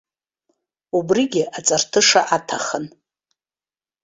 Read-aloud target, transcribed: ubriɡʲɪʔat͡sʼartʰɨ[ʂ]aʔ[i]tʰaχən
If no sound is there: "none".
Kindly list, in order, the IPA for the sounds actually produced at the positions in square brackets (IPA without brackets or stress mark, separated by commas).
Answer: ʂ, a